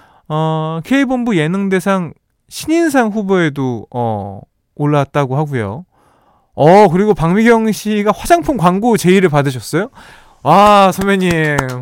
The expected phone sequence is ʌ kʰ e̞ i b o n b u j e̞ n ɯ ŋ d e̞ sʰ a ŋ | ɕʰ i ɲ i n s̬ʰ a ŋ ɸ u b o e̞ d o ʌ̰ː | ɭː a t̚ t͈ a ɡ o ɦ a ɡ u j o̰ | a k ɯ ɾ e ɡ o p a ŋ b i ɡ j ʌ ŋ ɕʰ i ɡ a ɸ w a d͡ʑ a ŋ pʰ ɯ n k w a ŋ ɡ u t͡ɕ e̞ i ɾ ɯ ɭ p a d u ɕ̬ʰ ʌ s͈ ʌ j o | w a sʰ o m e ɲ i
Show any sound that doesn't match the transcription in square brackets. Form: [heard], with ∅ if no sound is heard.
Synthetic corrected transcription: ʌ kʰ e̞ i b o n b u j e̞ n ɯ ŋ d e̞ sʰ a ŋ | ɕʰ i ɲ i n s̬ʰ a ŋ ɸ u b o e̞ d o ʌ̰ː | ɭː a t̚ t͈ a ɡ o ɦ a ɡ u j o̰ | [ʌ] k ɯ ɾ [i] ɡ o p a ŋ [m] i ɡ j ʌ ŋ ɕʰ i ɡ a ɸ w a d͡ʑ a ŋ pʰ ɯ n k w a ŋ ɡ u t͡ɕ e̞ i ɾ ɯ ɭ p a d [ɯ] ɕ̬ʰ ʌ s͈ ʌ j o | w a sʰ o m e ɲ i